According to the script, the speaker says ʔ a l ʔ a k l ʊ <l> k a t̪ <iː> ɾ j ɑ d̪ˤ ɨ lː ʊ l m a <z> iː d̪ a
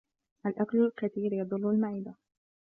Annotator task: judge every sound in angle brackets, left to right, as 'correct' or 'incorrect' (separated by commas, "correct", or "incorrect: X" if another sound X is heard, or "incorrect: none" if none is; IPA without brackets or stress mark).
correct, correct, incorrect: ʕ